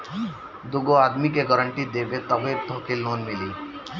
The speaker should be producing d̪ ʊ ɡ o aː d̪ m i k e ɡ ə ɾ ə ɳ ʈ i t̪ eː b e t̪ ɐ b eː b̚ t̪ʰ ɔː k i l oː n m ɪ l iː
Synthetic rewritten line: d̪ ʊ ɡ o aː d̪ m i k e ɡ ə ɾ ə ɳ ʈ i d̪ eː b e t̪ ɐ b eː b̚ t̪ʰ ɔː k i l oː n m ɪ l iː